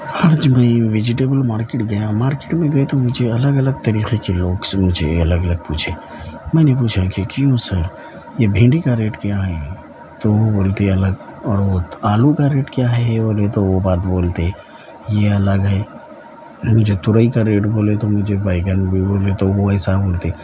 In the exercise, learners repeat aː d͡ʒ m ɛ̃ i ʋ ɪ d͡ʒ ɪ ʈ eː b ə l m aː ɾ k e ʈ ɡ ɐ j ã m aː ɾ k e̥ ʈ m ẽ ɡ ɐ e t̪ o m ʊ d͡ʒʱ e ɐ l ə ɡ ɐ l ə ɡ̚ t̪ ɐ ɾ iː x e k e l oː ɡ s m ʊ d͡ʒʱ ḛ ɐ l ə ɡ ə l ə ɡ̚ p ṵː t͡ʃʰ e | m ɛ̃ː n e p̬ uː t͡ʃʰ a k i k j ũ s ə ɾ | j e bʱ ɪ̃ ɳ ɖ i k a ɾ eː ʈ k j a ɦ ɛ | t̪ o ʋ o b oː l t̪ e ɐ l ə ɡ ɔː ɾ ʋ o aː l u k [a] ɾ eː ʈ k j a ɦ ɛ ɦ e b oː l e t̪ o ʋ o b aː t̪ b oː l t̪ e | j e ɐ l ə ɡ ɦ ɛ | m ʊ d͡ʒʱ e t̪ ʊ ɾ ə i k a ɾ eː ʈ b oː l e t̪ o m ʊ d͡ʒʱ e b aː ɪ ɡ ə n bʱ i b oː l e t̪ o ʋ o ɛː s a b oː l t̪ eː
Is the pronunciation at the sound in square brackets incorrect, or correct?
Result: correct